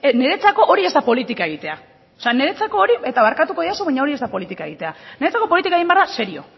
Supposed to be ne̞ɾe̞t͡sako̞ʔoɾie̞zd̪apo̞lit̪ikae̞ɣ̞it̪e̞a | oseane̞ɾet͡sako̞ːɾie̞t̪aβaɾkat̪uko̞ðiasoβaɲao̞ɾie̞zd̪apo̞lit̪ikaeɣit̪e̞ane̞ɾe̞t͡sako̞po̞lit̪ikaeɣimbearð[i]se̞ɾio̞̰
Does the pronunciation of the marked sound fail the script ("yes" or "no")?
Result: yes